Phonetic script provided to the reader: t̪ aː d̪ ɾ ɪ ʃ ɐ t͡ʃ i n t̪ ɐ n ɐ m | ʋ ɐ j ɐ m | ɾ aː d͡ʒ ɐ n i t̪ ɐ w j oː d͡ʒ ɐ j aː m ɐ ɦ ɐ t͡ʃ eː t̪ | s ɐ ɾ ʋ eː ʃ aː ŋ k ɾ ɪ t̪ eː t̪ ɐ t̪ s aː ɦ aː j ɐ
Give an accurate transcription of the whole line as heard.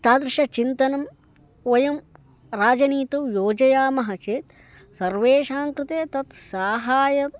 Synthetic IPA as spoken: t̪ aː d̪ ɾ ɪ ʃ ɐ t͡ʃ i n t̪ ɐ n ɐ m | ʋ ɐ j ɐ m | ɾ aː d͡ʒ ɐ n iː t̪ ɐ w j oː d͡ʒ ɐ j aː m ɐ ɦ ɐ t͡ʃ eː t̪ | s ɐ ɾ ʋ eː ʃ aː ŋ k ɾ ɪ t̪ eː t̪ ɐ t̪ s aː ɦ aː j ɐ